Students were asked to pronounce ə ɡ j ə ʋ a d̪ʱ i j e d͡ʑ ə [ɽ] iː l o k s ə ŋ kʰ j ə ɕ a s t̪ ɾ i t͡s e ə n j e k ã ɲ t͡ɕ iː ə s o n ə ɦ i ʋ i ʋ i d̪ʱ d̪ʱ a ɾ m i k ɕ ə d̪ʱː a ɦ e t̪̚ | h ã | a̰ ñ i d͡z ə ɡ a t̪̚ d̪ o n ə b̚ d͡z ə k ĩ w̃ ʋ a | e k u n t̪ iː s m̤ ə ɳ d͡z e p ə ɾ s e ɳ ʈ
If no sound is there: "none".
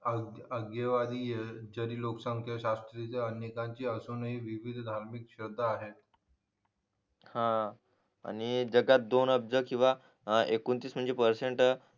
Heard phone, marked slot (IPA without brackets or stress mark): ɾ